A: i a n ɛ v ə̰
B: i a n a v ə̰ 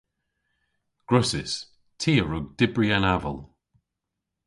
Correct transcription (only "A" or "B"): B